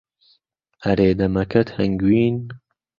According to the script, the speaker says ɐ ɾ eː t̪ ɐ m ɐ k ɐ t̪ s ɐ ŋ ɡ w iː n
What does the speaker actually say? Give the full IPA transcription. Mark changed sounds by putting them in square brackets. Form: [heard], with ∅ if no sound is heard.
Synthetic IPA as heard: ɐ ɾ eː [d̪] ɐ m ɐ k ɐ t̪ [h] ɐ ŋ ɡ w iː n